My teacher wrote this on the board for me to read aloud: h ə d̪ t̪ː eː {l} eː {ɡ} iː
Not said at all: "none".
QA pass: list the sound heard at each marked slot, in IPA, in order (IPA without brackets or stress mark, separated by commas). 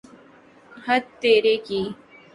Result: ɾ, k